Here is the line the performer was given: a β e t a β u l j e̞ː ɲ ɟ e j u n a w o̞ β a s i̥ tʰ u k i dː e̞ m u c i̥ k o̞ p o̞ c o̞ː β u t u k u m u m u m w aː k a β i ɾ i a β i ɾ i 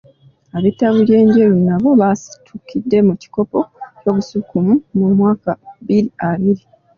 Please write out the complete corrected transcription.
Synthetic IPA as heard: a β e t a β u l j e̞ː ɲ ɟ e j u n a β o̞ β a s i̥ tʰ u k i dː e̞ m u c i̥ k o̞ p o̞ c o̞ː β u s u k u m u m u m w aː k a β i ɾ i a β i ɾ i